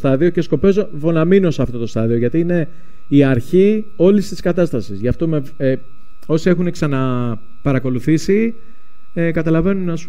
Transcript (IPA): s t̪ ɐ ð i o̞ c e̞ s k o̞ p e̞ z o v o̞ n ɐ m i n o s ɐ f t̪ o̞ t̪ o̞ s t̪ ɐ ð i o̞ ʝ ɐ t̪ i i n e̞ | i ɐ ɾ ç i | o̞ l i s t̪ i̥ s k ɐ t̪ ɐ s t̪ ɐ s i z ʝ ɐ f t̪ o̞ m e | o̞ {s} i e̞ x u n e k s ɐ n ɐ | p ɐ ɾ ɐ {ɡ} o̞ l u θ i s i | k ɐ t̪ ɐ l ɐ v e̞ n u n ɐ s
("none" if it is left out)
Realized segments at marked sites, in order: s, k

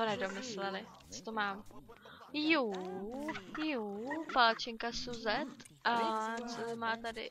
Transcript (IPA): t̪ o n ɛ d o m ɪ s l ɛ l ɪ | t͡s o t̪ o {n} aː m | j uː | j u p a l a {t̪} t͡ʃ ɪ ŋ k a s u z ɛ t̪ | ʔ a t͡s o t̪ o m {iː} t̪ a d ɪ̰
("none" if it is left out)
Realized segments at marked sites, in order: m, none, aː

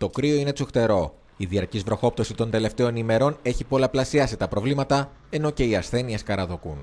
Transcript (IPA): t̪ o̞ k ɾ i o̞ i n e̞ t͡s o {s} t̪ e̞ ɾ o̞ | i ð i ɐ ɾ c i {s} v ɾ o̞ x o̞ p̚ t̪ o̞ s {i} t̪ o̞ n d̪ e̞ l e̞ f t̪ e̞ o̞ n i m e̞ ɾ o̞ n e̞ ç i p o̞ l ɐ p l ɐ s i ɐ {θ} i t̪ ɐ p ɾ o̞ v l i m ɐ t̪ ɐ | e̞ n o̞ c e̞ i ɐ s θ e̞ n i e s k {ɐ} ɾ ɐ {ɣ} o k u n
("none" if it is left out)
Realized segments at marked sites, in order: x, z, i, s, ɐ, ð

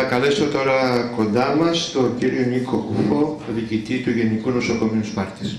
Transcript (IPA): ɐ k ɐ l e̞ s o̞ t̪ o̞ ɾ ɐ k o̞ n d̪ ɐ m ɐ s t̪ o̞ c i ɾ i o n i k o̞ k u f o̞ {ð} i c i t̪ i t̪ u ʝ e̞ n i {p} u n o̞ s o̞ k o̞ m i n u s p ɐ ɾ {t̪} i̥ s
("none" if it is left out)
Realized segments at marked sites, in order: ð, k, t̪

